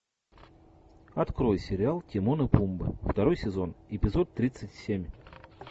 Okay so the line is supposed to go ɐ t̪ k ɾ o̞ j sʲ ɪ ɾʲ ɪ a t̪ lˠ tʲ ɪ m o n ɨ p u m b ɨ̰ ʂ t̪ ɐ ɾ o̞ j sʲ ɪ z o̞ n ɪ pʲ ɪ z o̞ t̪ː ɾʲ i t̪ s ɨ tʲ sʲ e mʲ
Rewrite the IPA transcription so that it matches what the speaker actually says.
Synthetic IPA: ɐ t̪ k ɾ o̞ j sʲ ɪ ɾʲ ɪ a lˠ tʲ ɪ m o n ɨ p u m b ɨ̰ f t̪ ɐ ɾ o̞ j sʲ ɪ z o̞ n ɪ pʲ ɪ z o̞ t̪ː ɾʲ i t̪ s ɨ tʲ sʲ e mʲ

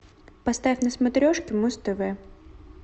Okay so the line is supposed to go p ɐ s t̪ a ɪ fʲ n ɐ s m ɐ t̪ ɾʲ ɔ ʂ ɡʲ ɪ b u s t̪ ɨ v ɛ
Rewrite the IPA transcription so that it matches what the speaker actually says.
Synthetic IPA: p ɐ s t̪ a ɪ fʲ n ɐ s m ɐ t̪ ɾʲ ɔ ʂ kʲ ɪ m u s t̪ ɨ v ɛ

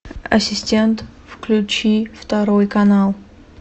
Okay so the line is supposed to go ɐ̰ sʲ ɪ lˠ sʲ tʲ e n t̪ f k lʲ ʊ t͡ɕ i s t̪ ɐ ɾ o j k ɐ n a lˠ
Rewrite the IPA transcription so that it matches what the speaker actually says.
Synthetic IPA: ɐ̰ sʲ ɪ sʲ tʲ e n t̪ f k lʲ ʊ t͡ɕ i f t̪ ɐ ɾ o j k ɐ n a lˠ

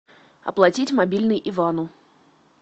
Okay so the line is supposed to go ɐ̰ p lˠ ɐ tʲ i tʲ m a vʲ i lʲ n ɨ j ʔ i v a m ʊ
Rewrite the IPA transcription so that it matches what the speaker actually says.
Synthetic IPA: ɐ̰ p lˠ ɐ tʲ i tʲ m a bʲ i lʲ n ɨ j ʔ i v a n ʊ

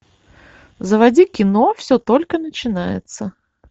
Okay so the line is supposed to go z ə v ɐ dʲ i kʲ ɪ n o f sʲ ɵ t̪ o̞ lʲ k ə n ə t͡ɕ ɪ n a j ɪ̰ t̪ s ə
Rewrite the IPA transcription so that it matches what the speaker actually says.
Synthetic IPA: z ə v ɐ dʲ i kʲ ɪ n o f sʲ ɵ t̪ o̞ lʲ k ə n ə t͡ɕ ɪ n a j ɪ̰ t̪ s ə

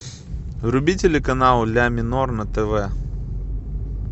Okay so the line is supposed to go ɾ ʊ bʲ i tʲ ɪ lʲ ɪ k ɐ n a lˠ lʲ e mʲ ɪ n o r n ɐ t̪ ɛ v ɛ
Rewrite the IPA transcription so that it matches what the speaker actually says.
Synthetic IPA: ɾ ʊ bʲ i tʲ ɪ lʲ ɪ k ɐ n a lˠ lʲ a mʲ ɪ n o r n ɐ t̪ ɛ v ɛ

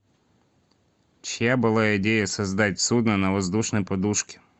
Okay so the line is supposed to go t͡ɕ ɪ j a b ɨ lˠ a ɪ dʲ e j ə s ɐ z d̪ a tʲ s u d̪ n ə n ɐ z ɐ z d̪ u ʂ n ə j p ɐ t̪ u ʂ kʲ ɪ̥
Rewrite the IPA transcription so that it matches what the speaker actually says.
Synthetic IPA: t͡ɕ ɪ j a b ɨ lˠ a ɪ dʲ e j ə s ɐ z d̪ a tʲ s u d̪ n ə n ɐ v ɐ z d̪ u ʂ n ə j p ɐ d̪ u ʂ kʲ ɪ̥

